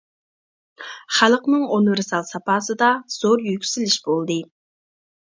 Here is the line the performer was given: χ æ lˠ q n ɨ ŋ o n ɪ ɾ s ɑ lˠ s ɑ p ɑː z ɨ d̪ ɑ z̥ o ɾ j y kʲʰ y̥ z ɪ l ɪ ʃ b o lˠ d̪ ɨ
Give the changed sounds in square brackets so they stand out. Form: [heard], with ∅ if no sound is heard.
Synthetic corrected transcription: χ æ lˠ q n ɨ ŋ o n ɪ ɾ s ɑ lˠ s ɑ p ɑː [s] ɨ d̪ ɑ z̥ o ɾ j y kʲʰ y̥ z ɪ l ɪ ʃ b o lˠ d̪ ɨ